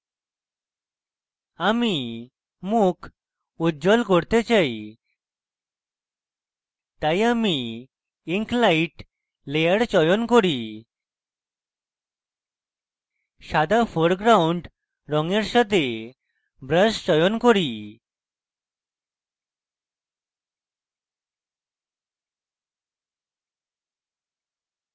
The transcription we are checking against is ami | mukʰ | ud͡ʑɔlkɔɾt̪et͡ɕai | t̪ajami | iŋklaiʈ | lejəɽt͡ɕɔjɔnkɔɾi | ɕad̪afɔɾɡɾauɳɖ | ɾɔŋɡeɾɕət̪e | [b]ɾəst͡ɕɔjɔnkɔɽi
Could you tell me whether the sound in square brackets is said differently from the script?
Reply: no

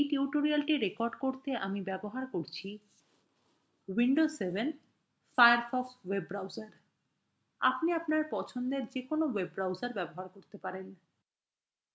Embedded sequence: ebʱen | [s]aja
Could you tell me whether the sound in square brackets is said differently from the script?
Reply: yes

